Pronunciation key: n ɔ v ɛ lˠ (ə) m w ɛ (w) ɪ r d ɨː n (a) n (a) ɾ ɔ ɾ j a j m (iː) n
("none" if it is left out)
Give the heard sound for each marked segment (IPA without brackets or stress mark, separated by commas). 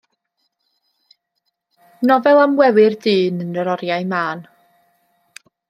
a, w, ə, ə, aː